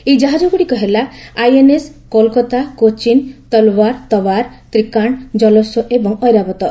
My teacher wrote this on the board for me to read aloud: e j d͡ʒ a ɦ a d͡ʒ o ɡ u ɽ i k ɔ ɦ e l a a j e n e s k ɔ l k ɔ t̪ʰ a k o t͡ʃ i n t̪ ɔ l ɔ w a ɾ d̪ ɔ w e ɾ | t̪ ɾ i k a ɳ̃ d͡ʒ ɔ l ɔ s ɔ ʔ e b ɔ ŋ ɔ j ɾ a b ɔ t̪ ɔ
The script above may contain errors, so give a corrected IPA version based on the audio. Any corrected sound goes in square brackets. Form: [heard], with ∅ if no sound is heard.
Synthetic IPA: e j d͡ʒ a ɦ a d͡ʒ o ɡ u ɽ i k ɔ ɦ e l a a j e n e s k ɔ l k ɔ [t̪] a k o t͡ʃ i n t̪ ɔ l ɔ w a ɾ [t̪] ɔ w [a] ɾ | t̪ ɾ i k a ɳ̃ d͡ʒ ɔ l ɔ s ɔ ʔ e b ɔ ŋ ɔ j ɾ a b ɔ t̪ ɔ